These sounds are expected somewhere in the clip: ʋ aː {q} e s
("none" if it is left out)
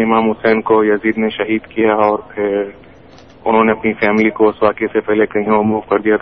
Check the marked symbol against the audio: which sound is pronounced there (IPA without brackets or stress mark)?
k